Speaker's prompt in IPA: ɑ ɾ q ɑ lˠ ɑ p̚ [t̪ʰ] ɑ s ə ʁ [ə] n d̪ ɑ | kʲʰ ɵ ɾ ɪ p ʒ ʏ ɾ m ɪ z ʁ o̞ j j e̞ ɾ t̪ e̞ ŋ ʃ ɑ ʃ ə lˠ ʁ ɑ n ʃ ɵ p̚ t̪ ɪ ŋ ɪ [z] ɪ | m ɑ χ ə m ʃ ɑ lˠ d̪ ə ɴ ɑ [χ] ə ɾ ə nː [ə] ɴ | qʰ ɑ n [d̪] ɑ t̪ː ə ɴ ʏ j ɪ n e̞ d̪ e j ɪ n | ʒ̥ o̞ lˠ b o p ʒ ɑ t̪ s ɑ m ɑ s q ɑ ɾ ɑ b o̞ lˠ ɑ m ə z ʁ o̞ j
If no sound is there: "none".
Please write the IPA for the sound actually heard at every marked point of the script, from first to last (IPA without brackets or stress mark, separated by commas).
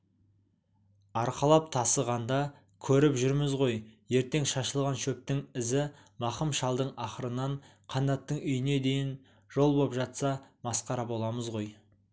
t̪ʰ, ɑ, z, χ, ɑ, d̪